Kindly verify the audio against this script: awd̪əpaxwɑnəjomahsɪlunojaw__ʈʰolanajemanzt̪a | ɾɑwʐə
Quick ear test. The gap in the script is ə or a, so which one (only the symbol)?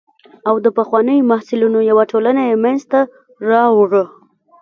a